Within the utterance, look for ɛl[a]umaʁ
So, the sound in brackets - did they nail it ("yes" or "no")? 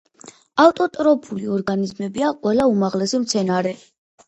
yes